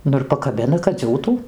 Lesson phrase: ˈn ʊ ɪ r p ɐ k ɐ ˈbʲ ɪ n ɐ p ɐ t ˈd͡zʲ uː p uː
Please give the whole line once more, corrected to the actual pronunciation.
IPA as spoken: ˈn ʊ ɪ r p ɐ k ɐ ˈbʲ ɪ n ɐ k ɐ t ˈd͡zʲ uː t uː